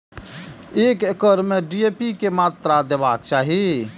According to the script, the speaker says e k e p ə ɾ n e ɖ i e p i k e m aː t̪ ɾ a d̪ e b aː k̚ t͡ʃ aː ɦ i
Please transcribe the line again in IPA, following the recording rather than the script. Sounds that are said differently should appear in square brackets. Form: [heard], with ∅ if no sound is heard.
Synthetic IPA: e k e [k] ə ɾ [m] e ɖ i e p i k e m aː t̪ ɾ a d̪ e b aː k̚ t͡ʃ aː ɦ i